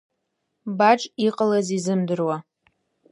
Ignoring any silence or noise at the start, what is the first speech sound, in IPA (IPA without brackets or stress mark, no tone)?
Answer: b